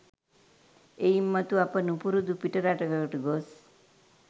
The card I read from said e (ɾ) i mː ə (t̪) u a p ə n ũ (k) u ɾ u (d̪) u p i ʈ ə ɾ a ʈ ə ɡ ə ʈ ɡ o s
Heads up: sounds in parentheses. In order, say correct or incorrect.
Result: incorrect: none, correct, incorrect: p, correct

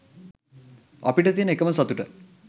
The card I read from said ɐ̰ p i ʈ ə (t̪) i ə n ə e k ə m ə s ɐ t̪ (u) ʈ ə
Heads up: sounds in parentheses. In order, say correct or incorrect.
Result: correct, correct

